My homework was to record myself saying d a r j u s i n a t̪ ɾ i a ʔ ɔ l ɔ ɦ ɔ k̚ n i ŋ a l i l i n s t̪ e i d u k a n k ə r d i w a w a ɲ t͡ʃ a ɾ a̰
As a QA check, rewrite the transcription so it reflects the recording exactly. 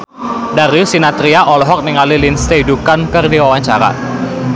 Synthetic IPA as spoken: d a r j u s i n a t̪ ɾ i a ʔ ɔ l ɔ ɦ ɔ k̚ n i ŋ a l i l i n s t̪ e i d u k a n k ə r d i w a w a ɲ t͡ʃ a ɾ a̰